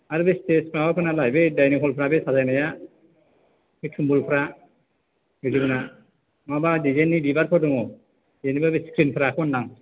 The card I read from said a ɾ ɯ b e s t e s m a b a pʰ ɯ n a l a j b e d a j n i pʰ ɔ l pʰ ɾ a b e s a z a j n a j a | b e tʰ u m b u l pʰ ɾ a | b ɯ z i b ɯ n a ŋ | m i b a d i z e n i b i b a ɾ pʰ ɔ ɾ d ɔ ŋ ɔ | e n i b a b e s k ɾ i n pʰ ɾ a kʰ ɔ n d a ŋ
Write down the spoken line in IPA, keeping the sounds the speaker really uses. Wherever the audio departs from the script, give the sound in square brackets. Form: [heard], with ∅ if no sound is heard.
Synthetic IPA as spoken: a ɾ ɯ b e s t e s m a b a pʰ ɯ n a l a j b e d a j n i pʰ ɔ l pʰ ɾ a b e s a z a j n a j a | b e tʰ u m b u l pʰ ɾ a | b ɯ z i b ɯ n a [∅] | m [a] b a d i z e n i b i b a ɾ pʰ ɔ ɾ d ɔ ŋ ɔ | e n i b a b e s k ɾ i n pʰ ɾ a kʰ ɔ n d a ŋ